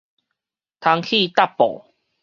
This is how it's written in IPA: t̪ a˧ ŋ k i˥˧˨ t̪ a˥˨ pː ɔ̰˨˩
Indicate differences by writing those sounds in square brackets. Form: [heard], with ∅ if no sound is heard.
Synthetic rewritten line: [t̪ʰ] a˧ ŋ [kʰ] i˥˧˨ t̪ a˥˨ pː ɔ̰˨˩